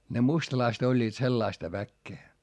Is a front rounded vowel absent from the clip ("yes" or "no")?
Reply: yes